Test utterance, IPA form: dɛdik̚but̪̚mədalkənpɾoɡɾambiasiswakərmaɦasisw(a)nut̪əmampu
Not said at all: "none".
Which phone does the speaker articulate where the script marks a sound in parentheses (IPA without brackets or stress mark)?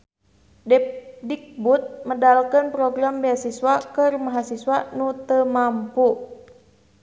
a